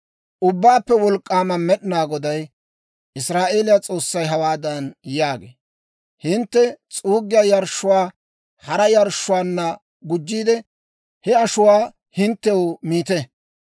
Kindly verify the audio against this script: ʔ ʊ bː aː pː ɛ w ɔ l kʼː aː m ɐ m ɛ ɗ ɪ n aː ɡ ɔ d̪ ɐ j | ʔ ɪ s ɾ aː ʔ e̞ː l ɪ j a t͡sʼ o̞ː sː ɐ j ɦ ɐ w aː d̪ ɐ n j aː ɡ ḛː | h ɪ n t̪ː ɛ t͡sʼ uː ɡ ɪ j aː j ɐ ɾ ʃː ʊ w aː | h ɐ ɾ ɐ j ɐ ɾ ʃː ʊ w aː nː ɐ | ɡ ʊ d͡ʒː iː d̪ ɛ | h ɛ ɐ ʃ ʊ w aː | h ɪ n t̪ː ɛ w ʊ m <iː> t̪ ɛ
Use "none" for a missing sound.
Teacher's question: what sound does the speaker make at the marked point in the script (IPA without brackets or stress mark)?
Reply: iː